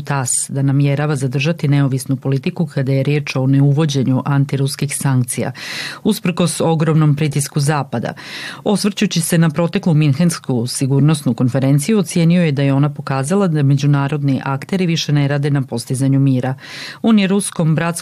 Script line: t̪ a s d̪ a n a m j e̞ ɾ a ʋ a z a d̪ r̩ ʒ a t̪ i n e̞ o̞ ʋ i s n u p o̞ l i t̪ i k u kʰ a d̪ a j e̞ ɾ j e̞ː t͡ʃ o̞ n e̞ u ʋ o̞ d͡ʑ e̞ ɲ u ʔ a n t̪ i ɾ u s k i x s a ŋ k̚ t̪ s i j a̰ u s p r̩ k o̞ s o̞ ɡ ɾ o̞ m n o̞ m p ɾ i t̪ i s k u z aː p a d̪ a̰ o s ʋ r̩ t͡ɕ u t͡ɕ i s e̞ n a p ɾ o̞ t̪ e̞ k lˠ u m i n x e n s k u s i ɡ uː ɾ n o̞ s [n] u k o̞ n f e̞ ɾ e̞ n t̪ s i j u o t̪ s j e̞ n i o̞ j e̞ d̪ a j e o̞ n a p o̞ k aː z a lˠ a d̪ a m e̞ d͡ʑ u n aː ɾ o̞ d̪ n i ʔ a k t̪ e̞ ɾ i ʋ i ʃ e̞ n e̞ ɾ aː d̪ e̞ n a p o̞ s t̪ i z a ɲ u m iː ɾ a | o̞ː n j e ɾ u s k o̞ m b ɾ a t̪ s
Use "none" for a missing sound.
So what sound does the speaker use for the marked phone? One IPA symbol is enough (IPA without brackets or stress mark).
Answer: n